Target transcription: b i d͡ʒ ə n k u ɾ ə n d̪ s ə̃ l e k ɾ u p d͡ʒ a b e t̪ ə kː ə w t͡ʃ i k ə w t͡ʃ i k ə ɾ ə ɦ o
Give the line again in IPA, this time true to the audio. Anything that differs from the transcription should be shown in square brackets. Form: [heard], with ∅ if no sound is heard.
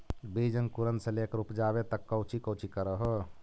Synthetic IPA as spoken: b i d͡ʒ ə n k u ɾ ə n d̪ s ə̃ l e k ɾ u p d͡ʒ a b e t̪ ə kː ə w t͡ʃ i k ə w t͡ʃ i k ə ɾ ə ɦ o